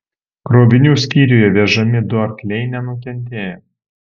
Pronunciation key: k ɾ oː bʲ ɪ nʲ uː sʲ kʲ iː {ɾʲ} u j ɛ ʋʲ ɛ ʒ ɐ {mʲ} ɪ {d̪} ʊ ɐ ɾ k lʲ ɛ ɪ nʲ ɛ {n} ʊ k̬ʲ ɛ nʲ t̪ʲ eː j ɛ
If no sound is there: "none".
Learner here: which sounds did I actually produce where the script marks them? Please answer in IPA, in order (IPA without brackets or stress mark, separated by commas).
ɾʲ, mʲ, d̪, n